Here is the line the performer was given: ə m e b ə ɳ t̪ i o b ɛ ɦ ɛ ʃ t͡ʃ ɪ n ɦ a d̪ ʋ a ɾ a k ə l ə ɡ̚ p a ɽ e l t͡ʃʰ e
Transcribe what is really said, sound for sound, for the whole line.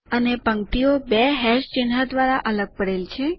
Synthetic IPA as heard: ə n e p ə ŋ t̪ i o b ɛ ɦ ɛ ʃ t͡ʃ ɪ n ɦ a d̪ ʋ a ɾ a ʔ ə l ə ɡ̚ p ə ɽ e l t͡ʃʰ e